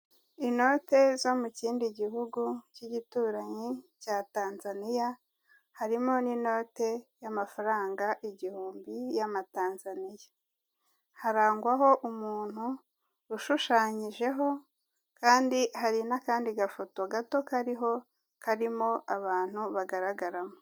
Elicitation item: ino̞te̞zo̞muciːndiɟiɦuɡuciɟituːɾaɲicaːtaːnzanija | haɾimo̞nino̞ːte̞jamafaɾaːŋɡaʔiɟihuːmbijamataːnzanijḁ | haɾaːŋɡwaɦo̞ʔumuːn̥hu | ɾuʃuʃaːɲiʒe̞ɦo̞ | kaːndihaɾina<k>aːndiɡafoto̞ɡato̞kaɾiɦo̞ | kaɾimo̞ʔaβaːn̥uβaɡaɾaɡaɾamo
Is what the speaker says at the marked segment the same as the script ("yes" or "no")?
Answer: yes